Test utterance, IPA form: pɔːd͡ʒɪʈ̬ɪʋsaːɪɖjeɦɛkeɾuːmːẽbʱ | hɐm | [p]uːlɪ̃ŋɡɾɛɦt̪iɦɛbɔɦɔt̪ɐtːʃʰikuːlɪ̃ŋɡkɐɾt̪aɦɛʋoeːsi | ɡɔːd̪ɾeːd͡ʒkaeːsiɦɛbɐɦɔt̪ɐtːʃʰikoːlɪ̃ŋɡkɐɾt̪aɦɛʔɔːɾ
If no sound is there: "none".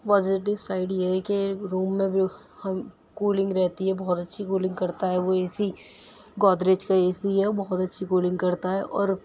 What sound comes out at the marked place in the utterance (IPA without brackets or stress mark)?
k